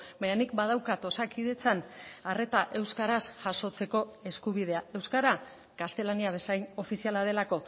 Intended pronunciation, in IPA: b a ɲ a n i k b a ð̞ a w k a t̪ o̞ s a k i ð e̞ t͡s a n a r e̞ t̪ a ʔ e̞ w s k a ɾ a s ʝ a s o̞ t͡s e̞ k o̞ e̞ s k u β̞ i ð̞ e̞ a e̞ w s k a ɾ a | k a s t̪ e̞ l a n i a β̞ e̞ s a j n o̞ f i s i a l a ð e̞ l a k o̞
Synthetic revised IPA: b a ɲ a n i k b a ð̞ a w k a t̪ o̞ s a k i ð e̞ t͡s a n a r e̞ t̪ a ʔ e̞ w s k a ɾ a s ʝ a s o̞ t͡s e̞ k o̞ e̞ s k u β̞ i ð̞ e̞ a e̞ w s k a ɾ a | k a s t̪ e̞ l a n i a β̞ e̞ s a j n o̞ f i s i a l a ð e̞ l a k o̞